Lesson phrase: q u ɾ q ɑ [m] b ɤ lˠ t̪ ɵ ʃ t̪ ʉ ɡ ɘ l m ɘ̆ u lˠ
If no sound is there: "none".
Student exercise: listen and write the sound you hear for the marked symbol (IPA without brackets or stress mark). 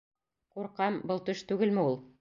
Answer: m